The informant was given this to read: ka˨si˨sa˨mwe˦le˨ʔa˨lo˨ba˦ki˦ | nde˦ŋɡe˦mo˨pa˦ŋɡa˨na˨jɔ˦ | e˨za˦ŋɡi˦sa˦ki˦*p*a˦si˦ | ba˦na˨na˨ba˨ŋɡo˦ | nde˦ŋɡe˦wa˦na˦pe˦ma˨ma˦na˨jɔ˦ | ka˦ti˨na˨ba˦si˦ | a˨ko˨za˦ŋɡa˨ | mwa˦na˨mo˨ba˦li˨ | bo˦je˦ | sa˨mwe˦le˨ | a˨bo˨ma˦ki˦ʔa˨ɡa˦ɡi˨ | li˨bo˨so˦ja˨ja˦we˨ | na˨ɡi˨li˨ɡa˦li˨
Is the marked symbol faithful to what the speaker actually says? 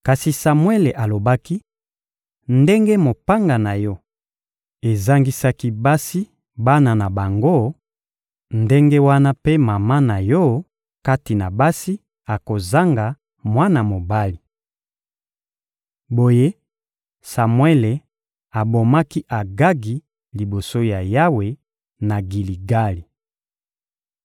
no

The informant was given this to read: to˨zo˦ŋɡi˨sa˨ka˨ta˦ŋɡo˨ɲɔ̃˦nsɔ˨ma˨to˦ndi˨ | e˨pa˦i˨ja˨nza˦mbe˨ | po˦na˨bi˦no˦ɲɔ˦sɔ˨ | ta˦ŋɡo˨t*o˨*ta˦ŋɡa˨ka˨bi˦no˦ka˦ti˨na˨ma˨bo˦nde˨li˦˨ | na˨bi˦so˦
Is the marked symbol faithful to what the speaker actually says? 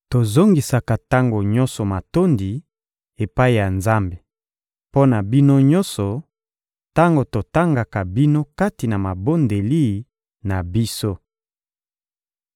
yes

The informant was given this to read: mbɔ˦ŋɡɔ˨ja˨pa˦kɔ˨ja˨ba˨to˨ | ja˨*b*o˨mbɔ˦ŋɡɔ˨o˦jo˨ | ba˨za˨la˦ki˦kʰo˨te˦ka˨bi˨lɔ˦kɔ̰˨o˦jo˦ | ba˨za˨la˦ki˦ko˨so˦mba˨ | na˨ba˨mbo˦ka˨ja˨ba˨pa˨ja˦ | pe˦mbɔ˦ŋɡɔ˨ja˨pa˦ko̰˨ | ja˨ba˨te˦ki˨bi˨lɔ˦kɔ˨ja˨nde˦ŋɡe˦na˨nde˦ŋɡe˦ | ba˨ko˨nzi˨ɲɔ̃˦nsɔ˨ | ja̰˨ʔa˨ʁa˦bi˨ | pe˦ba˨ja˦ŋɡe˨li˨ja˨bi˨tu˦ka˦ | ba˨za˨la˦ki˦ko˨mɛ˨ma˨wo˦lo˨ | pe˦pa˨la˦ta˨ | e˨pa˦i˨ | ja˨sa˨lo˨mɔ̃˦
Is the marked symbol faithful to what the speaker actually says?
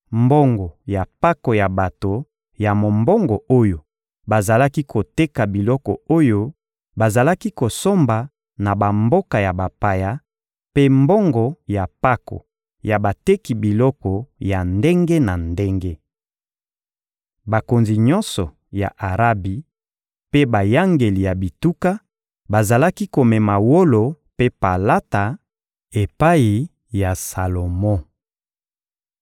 no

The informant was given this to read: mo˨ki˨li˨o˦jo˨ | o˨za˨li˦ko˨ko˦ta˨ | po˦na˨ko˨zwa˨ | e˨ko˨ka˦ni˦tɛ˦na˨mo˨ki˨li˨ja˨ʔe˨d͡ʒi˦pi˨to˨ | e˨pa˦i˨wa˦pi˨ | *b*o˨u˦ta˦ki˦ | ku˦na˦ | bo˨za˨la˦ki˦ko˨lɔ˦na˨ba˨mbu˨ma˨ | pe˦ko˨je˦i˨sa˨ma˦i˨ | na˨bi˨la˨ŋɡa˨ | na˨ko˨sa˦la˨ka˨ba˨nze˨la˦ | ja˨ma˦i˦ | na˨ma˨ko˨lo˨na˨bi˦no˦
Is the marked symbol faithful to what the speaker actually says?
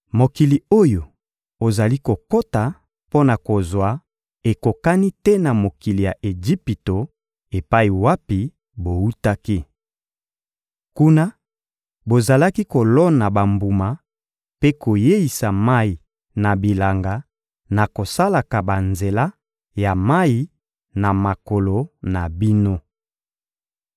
yes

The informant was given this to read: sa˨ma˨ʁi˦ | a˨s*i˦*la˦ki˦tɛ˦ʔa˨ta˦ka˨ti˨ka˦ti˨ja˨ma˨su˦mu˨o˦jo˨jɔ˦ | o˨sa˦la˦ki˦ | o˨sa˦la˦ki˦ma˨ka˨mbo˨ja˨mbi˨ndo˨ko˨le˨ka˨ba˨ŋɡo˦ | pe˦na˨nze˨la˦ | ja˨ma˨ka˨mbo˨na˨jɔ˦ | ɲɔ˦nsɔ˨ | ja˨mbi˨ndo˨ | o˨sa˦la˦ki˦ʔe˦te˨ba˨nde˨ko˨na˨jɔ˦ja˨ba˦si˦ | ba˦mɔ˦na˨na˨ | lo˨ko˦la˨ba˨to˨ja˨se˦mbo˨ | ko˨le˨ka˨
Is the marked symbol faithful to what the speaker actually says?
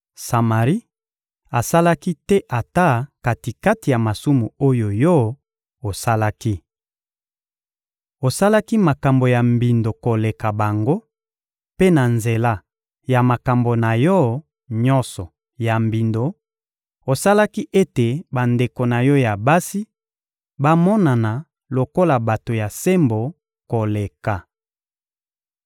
no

